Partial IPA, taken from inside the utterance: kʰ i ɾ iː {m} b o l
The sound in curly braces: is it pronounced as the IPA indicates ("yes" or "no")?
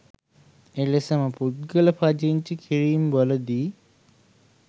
yes